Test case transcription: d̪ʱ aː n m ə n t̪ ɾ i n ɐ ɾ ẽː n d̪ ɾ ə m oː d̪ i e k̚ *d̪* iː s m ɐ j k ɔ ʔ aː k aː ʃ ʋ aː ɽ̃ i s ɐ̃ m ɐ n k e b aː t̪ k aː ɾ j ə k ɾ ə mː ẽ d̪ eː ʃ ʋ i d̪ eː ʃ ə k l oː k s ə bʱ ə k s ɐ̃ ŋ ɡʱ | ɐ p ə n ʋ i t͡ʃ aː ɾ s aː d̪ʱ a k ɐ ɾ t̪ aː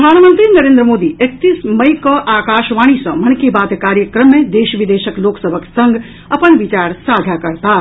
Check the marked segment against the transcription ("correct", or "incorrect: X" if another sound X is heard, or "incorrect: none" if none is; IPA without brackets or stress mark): incorrect: t̪